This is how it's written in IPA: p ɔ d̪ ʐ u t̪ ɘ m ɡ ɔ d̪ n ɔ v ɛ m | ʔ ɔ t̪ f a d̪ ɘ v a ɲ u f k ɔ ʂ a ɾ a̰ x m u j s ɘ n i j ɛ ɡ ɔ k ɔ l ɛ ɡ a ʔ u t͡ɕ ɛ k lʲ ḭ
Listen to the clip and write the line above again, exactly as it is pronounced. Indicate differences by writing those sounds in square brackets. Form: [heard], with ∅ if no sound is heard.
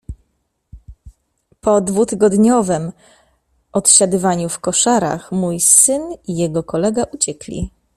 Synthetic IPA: p ɔ d̪ [v] u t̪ ɘ [∅] ɡ ɔ d̪ [ɲ] ɔ v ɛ m | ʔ ɔ t̪ [ɕ] a d̪ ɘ v a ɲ u f k ɔ ʂ a ɾ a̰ x m u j s ɘ n i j ɛ ɡ ɔ k ɔ l ɛ ɡ a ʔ u t͡ɕ ɛ k lʲ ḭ